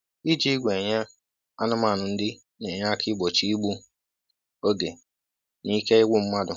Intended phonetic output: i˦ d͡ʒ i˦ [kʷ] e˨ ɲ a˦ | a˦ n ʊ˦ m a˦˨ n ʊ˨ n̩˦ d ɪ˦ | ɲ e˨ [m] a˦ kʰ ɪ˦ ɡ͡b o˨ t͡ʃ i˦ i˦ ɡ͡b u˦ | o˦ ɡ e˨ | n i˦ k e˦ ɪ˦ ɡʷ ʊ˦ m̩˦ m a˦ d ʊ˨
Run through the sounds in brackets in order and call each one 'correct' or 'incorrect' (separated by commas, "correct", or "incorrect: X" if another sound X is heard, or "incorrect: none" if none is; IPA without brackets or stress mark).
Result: incorrect: ɡʷ, incorrect: ɲ